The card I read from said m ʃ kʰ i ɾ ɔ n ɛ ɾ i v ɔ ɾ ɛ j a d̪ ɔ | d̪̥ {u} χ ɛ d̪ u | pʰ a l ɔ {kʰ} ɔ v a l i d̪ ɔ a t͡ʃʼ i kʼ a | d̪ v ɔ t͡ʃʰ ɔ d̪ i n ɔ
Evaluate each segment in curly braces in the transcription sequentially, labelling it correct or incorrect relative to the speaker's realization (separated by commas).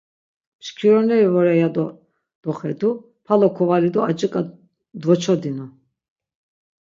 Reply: incorrect, correct